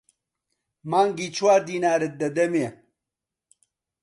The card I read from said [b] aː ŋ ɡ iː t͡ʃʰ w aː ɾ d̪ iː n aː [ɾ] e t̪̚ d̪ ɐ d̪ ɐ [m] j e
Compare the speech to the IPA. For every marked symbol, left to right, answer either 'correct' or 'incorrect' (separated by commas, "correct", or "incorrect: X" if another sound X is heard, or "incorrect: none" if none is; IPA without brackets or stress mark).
incorrect: m, correct, correct